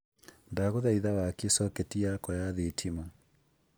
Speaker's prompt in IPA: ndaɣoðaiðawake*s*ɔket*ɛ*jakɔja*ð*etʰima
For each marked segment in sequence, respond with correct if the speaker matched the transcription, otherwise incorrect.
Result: correct, incorrect, correct

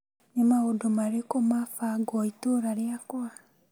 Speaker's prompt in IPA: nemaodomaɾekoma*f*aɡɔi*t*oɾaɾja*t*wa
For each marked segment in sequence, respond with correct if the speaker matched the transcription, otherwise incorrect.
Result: correct, correct, incorrect

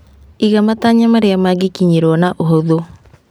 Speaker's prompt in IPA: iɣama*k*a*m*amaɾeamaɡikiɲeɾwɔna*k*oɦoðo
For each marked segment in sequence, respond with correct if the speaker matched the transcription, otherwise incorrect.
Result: incorrect, incorrect, incorrect

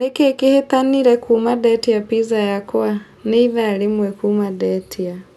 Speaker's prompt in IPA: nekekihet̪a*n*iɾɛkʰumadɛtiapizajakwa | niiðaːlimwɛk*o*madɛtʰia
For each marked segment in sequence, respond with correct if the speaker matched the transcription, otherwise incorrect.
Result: correct, incorrect

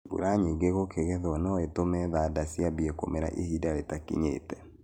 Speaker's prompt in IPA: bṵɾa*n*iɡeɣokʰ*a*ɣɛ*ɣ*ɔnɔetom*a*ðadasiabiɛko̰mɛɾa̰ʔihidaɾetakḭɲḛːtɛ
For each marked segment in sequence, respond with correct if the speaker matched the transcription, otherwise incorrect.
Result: incorrect, incorrect, incorrect, incorrect

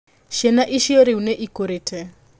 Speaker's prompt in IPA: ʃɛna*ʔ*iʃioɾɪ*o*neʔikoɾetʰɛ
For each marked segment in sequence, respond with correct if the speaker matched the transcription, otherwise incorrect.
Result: correct, incorrect

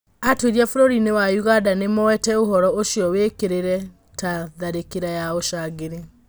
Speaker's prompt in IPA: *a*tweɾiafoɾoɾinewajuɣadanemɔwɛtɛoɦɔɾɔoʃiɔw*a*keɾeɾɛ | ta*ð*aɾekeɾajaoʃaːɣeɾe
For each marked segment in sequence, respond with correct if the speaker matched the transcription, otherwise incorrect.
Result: correct, incorrect, correct

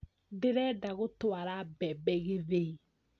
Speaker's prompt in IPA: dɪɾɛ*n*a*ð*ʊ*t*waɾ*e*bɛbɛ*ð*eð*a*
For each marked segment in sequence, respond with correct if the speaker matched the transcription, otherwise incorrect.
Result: incorrect, incorrect, correct, incorrect, incorrect, incorrect

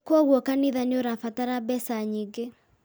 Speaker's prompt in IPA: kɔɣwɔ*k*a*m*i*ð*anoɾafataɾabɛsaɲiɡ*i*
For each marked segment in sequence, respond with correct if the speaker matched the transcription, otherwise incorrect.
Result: correct, incorrect, correct, incorrect

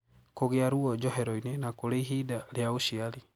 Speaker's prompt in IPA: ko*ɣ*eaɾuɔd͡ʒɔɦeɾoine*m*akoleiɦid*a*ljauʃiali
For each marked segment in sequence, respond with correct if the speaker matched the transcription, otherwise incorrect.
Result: correct, incorrect, correct

